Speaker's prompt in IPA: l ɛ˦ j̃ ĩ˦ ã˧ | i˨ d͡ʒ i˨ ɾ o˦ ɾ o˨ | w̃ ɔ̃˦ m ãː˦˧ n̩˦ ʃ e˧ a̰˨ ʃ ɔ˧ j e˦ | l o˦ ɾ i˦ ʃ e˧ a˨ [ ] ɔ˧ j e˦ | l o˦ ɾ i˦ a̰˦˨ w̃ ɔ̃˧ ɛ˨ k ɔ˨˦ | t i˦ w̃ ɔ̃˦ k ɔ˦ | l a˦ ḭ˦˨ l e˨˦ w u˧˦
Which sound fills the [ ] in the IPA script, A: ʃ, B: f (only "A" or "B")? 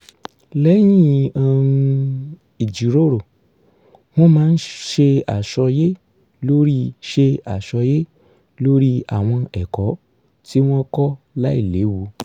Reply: A